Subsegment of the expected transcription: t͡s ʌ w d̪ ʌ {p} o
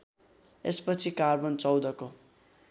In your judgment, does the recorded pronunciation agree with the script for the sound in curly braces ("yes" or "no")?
no